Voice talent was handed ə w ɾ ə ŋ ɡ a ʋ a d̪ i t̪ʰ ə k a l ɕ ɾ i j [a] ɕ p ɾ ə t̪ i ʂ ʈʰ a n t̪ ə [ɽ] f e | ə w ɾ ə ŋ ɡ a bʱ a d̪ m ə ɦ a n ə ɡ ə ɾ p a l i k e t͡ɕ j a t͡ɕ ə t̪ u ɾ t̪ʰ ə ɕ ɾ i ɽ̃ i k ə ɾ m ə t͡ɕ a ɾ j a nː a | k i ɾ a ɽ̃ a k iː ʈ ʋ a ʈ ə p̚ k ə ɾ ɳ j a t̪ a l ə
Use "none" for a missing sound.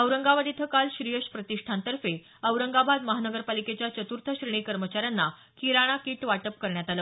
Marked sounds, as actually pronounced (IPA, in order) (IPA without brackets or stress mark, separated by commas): ə, ɾ